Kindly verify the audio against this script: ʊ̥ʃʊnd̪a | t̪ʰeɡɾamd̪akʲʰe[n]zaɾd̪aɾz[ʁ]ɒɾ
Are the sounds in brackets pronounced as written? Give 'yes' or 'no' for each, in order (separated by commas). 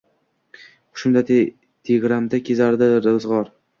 no, yes